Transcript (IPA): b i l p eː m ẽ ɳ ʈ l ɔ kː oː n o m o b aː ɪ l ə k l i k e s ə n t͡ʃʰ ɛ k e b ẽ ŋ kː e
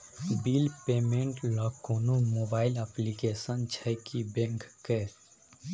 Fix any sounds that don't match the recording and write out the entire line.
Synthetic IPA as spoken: b i l p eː m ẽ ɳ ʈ l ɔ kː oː n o m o b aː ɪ l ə p l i k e s ə n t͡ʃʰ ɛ k i b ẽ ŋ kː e

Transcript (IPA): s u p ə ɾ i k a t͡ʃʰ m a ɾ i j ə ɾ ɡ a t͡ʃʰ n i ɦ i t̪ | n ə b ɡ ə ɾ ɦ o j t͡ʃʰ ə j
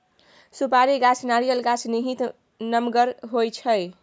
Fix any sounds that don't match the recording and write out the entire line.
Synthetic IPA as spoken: s u p a ɾ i ɡ a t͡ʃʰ n a ɾ i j ə l ɡ a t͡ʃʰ n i ɦ i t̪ | n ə m ɡ ə ɾ ɦ o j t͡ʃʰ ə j

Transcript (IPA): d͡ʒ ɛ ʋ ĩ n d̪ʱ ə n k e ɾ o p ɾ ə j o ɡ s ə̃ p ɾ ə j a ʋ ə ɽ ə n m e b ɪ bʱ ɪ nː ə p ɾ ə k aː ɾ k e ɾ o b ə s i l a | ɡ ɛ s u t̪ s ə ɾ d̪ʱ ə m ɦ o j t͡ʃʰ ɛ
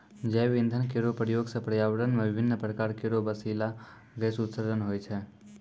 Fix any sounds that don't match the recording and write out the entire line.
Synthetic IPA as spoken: d͡ʒ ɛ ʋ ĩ n d̪ʱ ə n k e ɾ o p ɾ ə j o ɡ s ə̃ p ɾ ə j a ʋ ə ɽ ə n m e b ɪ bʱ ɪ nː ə p ɾ ə k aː ɾ k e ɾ o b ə s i l a | ɡ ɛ s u t̪ s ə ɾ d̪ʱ ə n ɦ o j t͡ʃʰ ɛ

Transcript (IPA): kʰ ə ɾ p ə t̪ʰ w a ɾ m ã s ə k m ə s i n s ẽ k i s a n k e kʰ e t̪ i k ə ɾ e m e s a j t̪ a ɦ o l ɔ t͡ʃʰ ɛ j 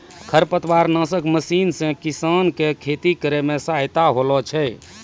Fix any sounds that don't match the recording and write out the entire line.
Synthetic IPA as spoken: kʰ ə ɾ p ə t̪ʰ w a ɾ n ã s ə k m ə s i n s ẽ k i s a n k e kʰ e t̪ i k ə ɾ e m e s a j t̪ a ɦ o l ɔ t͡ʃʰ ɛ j

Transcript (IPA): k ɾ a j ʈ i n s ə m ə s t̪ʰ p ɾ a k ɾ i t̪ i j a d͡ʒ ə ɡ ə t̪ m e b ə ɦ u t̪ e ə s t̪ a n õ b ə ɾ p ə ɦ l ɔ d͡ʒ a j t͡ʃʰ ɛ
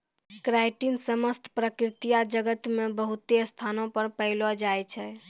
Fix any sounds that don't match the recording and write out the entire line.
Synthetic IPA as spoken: k ɾ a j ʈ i n s ə m ə s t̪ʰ p ɾ ə k ɾ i t̪ i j a d͡ʒ ə ɡ ə t̪ m e b ə ɦ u t̪ e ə s t̪ʰ a n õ p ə ɾ p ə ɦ l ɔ d͡ʒ a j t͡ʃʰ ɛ

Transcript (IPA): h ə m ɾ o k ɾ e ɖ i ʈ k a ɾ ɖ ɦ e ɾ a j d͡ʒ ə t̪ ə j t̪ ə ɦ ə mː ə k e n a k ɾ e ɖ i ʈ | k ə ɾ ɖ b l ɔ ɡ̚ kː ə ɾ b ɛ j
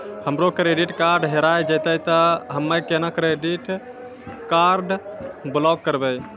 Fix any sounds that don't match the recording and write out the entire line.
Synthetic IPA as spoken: h ə m ɾ o k ɾ e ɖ i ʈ k a ɾ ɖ ɦ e ɾ a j d͡ʒ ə t̪ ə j t̪ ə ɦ ə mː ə k e n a k ɾ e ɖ i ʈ | k a ɾ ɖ b l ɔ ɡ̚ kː ə ɾ b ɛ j

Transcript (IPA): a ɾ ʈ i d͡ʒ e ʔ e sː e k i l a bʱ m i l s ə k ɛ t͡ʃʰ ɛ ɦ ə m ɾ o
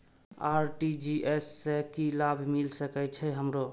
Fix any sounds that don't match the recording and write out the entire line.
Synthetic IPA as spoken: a ɾ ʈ i d͡ʒ i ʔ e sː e k i l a bʱ m i l s ə k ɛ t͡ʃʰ ɛ ɦ ə m ɾ o

